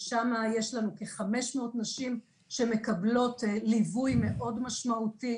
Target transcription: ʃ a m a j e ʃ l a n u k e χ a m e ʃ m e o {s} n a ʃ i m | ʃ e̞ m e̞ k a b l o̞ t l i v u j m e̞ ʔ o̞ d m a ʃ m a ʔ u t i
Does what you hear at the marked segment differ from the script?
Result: yes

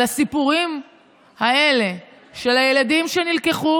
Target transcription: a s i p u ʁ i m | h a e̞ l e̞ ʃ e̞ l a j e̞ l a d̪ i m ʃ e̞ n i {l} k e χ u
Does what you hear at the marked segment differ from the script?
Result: no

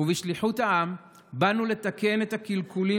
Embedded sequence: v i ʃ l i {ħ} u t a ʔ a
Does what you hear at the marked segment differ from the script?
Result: no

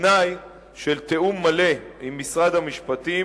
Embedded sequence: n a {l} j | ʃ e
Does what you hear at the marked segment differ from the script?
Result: yes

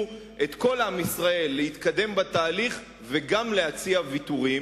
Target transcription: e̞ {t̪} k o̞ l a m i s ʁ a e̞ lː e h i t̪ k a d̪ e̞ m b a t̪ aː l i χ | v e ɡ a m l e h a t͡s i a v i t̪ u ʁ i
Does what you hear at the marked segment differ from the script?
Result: no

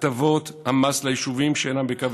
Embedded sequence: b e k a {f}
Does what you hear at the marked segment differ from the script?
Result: yes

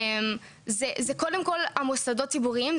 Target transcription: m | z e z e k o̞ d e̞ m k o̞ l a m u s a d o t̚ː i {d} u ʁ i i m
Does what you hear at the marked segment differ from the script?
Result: yes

